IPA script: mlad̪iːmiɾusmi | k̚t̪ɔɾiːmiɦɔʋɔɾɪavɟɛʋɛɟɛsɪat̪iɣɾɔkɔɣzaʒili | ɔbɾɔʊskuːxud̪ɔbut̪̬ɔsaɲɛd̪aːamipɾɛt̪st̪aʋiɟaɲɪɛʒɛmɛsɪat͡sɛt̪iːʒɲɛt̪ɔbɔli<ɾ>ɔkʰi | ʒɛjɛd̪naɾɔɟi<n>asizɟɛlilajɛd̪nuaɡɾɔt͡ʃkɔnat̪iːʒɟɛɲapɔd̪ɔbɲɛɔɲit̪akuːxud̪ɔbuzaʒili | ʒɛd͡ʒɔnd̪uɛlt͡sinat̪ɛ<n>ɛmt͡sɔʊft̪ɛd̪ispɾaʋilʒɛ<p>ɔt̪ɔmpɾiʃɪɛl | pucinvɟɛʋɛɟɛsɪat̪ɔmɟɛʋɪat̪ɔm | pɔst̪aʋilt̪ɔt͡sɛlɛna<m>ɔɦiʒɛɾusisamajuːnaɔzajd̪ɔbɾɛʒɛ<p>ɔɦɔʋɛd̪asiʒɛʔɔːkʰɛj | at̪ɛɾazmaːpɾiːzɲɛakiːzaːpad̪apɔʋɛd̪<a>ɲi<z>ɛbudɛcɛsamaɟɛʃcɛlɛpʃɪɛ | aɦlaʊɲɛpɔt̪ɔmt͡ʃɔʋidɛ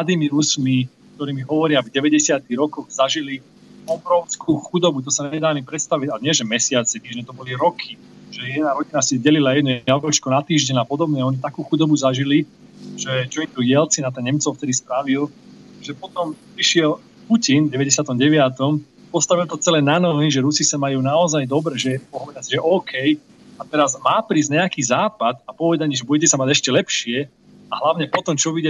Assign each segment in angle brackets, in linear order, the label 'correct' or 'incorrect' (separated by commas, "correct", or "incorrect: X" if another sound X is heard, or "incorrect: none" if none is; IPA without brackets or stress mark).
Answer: correct, correct, incorrect: ɲ, correct, incorrect: n, correct, correct, incorrect: ʒ